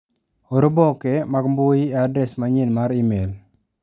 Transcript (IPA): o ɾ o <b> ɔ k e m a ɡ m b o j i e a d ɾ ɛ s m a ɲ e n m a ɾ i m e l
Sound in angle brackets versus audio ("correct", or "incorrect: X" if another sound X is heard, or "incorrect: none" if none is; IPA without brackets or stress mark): correct